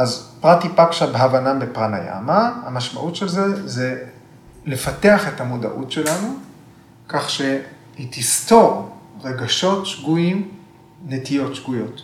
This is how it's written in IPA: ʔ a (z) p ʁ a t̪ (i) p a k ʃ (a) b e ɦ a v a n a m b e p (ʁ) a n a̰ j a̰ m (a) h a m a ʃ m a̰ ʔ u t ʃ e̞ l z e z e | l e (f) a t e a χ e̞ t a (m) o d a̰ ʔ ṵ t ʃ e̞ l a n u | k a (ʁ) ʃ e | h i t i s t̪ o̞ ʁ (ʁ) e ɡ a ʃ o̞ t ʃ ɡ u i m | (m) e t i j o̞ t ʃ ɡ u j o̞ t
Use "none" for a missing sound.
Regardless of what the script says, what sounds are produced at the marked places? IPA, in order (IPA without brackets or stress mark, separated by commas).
z, i, a, ʁ, a, f, m, χ, ʁ, n